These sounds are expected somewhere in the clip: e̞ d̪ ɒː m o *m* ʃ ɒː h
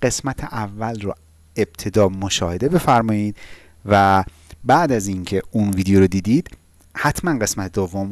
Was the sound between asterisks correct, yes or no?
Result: no